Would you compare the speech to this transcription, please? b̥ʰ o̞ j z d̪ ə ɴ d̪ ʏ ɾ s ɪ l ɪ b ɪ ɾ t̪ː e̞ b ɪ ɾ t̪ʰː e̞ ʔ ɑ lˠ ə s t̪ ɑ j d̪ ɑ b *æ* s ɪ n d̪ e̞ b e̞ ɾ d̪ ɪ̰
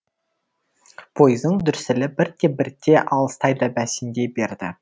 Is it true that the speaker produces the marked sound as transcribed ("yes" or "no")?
yes